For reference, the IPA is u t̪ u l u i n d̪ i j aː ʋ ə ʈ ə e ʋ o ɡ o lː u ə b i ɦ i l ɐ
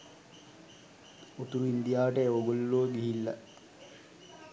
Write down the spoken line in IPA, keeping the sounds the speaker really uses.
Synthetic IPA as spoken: u t̪ u ɾ u i n d̪ i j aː ʋ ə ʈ ə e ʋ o ɡ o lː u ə ɡ i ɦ i lː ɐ